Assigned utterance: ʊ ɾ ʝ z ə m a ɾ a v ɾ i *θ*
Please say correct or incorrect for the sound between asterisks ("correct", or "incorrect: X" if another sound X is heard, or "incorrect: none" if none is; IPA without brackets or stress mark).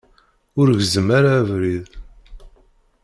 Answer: incorrect: ð